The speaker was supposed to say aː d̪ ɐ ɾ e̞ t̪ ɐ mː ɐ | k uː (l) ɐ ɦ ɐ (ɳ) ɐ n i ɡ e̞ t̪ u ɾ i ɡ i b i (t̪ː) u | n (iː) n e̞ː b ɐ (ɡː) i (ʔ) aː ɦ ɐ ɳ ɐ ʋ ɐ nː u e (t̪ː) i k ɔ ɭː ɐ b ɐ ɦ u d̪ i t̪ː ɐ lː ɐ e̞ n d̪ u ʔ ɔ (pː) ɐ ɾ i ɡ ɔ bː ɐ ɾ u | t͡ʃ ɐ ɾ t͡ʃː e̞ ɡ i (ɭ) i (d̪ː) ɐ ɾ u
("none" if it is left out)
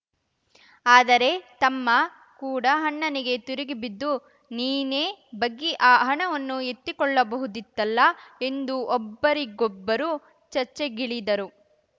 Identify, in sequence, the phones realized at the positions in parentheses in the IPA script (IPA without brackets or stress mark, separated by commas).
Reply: ɽ, ɳː, d̪ː, iː, ɡː, ʔ, t̪ː, bː, ɭ, d̪